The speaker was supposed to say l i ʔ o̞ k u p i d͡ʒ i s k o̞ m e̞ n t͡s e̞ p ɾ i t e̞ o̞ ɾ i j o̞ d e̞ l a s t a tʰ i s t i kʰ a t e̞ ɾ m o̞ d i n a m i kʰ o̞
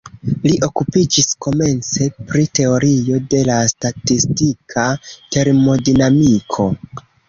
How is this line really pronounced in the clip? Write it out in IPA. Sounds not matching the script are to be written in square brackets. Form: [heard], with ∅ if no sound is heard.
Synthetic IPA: l i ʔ o̞ k u p i d͡ʒ i s k o̞ m e̞ n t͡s e̞ p ɾ i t e̞ o̞ ɾ i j o̞ d e̞ l a s t a [t] i s t i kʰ a t e̞ ɾ m o̞ d i n a m i kʰ o̞